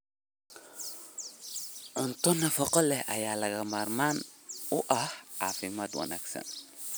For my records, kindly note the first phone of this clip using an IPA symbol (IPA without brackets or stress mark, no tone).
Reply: ʕ